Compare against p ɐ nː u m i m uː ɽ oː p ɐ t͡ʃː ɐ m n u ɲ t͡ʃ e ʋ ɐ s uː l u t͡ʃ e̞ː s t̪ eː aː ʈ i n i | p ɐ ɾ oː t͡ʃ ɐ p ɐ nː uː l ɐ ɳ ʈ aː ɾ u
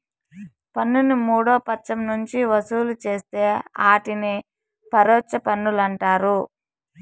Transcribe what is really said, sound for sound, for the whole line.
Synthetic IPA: p ɐ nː u n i m uː ɽ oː p ɐ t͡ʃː ɐ m n u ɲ t͡ʃ i ʋ ɐ s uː l u t͡ʃ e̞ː s t̪ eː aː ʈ i n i | p ɐ ɾ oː t͡ʃ ɐ p ɐ nː u l ɐ ɳ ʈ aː ɾ u